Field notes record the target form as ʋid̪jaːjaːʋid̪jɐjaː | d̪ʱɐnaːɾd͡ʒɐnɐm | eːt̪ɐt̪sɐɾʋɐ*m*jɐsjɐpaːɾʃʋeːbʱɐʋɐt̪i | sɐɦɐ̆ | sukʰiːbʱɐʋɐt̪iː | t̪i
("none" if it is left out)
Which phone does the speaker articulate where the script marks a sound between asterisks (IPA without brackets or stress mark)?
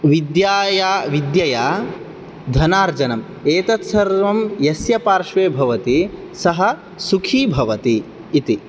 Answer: m